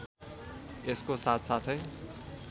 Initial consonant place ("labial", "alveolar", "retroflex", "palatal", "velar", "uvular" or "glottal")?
alveolar